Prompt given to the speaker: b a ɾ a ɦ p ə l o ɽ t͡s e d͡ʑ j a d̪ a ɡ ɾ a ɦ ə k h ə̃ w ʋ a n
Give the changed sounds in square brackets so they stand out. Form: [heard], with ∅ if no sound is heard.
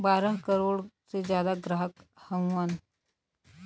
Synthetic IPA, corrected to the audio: b a ɾ [ə] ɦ [k] ə [ɾ] o ɽ t͡s e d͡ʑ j a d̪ a ɡ ɾ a ɦ ə k h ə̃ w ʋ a n